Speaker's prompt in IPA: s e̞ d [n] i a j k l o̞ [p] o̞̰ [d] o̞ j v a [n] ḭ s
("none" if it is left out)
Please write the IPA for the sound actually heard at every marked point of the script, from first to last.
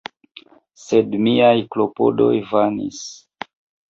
m, p, d, n

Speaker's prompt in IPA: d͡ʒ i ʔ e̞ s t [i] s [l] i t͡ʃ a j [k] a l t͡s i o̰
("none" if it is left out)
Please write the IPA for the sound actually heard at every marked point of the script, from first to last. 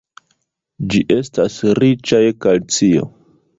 a, ɾ, k

